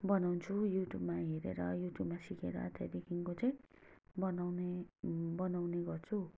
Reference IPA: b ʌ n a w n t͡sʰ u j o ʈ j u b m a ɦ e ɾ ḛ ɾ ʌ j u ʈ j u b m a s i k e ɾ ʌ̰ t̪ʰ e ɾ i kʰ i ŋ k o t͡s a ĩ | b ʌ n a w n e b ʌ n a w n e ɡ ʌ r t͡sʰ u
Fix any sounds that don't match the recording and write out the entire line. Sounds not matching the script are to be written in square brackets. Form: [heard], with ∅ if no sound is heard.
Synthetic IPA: b ʌ n a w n t͡sʰ u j [u] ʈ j u b m a ɦ e ɾ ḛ ɾ ʌ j u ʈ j u b m a s i k e ɾ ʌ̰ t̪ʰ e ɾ i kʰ i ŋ k o t͡s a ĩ | b ʌ n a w n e b ʌ n a w n e ɡ ʌ r t͡sʰ u